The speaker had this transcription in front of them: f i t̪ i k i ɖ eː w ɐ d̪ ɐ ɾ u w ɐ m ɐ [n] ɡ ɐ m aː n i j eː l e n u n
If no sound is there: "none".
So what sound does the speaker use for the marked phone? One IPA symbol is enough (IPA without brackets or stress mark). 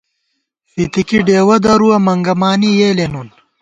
ŋ